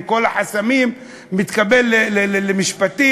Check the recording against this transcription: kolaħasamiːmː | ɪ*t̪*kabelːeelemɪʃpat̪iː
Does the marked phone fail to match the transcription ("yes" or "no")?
no